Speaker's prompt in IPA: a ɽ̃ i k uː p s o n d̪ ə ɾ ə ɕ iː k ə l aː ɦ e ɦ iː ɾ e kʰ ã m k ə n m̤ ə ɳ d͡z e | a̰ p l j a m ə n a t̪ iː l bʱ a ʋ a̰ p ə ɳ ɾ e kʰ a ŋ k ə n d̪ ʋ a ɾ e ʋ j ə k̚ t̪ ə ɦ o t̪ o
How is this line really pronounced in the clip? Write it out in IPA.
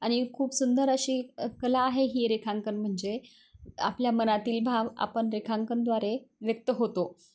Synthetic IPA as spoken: a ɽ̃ i kʰ uː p s u n d̪ ə ɾ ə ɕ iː k ə l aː ɦ e ɦ iː ɾ e kʰ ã ŋ k ə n m̤ ə ɳ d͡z e | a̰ p l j a m ə n a t̪ iː l bʱ a ʋ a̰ p ə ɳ ɾ e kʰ a ŋ k ə n d̪ ʋ a ɾ e ʋ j ə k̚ t̪ ə ɦ o t̪ o